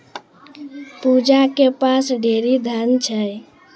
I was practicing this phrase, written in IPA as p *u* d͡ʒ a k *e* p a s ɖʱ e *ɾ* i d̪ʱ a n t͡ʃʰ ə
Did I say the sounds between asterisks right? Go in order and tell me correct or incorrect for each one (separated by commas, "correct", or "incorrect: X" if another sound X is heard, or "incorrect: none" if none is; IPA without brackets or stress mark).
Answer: correct, correct, correct